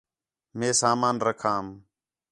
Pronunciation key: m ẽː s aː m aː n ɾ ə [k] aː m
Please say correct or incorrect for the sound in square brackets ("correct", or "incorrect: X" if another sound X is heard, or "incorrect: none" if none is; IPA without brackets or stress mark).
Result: incorrect: kʰ